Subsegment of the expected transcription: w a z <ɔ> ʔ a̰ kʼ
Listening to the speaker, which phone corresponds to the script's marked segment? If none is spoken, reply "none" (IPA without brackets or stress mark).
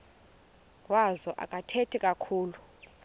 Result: ɔ